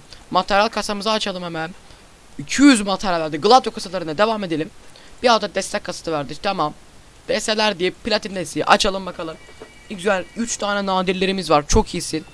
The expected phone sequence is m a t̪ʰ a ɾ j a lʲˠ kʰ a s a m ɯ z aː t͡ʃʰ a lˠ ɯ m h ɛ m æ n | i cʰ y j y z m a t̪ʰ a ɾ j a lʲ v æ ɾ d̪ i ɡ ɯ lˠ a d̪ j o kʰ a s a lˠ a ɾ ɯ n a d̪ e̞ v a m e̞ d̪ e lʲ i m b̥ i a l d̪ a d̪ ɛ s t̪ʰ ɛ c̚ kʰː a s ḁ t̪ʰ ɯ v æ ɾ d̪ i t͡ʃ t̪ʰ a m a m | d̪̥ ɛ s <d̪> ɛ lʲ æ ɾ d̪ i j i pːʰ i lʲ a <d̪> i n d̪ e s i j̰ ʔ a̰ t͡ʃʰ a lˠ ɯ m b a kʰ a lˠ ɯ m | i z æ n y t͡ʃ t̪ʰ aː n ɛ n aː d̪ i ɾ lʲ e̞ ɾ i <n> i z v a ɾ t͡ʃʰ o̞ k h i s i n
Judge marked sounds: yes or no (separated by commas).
no, no, no